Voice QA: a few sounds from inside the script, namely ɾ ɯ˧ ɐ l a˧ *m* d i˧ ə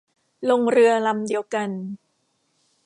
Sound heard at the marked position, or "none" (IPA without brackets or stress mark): m